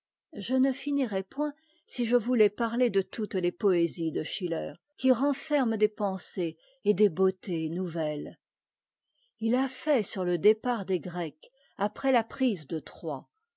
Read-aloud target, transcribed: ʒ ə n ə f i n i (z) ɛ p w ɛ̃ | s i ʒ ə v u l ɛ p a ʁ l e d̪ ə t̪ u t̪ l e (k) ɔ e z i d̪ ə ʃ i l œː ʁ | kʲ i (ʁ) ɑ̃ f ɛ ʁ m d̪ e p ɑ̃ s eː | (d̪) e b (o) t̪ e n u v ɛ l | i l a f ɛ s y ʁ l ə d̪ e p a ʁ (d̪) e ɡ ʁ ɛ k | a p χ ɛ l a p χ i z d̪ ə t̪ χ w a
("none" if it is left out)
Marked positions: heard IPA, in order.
ʁ, p, ʁ, d̪, o, d̪

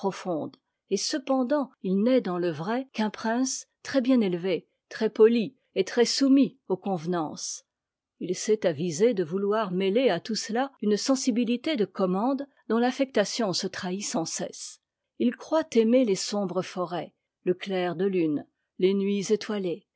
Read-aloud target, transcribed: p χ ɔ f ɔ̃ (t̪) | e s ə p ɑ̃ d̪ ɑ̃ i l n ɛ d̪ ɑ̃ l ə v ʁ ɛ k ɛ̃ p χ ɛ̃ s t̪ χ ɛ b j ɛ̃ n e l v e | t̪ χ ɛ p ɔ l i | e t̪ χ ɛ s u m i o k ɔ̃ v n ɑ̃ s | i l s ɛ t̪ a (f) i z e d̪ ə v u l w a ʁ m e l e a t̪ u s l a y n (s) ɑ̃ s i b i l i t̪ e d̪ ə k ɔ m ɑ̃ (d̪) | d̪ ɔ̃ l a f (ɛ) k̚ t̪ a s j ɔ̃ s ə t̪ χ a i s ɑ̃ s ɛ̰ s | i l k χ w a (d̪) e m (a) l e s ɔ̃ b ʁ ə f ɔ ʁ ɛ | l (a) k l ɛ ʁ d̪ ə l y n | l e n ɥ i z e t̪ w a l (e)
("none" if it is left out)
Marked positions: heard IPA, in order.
d̪, v, s, d̪, ɛ, t̪, e, ə, e

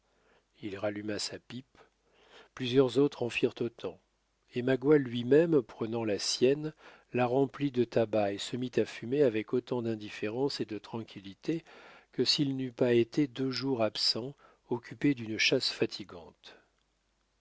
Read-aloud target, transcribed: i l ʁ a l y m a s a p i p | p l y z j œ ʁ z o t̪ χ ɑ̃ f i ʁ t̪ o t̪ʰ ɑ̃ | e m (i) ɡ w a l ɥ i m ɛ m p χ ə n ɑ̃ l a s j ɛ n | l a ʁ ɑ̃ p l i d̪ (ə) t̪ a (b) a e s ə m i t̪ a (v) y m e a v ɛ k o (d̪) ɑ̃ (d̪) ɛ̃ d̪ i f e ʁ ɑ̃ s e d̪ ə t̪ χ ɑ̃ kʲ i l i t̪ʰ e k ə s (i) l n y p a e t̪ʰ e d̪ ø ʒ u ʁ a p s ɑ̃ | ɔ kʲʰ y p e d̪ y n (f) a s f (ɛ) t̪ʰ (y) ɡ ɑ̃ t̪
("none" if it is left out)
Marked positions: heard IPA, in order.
a, ə, b, f, t̪, d̪, i, ʃ, a, i

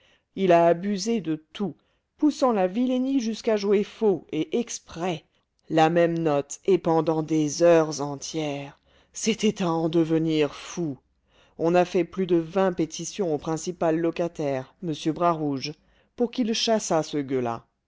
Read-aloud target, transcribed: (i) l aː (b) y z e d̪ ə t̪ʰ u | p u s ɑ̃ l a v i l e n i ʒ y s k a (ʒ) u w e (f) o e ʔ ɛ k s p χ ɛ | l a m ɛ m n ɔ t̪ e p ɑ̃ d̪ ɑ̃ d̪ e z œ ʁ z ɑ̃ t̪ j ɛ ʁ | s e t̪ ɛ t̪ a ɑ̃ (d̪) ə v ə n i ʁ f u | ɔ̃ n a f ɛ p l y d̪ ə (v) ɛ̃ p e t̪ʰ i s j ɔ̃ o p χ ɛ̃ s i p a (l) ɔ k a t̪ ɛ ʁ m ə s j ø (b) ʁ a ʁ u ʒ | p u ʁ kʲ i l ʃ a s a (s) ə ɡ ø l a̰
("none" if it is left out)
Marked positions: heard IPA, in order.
i, b, ʒ, f, d̪, v, lː, b, s

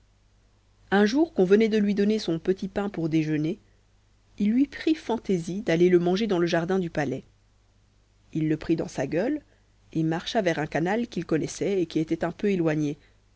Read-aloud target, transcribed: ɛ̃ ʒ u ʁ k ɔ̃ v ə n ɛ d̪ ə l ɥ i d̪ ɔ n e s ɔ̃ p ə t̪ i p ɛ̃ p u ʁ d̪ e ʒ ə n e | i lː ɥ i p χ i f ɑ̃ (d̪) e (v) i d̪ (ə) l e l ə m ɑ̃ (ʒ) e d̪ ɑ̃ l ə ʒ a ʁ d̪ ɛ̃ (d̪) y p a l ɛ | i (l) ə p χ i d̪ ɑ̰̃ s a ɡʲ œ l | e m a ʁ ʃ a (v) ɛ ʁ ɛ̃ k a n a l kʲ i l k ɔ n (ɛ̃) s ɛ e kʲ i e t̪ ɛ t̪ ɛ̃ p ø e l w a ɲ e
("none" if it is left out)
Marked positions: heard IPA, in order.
t̪, z, a, ʒ, d̪, lː, v, ɛ

